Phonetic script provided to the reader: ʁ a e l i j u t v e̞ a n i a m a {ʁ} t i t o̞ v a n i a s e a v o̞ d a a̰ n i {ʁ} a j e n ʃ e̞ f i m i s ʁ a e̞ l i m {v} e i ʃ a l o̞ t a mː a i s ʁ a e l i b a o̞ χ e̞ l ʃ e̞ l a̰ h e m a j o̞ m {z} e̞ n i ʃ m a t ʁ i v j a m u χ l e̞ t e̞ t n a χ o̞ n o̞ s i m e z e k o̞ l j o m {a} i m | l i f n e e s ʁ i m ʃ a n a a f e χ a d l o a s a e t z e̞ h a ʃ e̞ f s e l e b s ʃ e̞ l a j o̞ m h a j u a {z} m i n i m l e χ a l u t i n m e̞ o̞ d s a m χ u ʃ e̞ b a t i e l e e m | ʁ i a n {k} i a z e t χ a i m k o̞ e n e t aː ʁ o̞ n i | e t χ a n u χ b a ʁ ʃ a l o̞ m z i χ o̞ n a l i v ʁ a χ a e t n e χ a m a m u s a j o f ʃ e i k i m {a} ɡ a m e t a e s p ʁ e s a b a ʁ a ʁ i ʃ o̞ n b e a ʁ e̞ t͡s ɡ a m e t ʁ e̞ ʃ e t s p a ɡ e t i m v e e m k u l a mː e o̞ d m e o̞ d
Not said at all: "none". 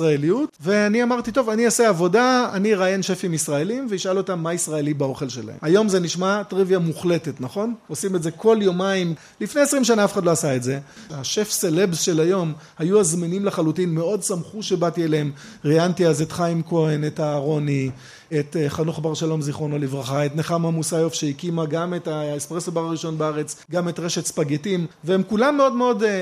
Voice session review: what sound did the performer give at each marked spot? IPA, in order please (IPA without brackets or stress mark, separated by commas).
ʁ, ʁ, v, z, a, z, t, a